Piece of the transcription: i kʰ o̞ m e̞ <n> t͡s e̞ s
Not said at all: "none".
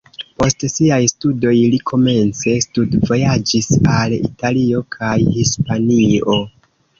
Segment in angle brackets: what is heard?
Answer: n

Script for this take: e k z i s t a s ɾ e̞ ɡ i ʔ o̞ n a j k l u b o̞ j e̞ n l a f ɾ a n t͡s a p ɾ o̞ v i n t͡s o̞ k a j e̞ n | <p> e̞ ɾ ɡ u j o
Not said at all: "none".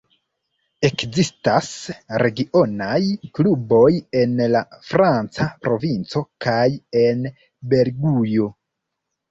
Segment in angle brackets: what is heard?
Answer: b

